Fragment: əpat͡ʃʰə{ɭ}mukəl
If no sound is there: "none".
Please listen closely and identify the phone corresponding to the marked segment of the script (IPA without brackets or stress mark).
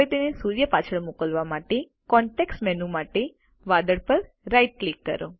ɭ